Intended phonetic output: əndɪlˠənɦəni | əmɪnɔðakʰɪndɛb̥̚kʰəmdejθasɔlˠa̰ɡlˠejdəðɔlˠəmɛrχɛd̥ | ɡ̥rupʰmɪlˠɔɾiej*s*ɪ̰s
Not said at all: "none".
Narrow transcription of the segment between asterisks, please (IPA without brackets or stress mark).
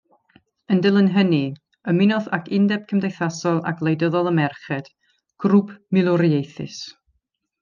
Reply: θ